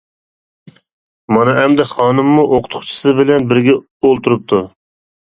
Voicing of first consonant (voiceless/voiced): voiced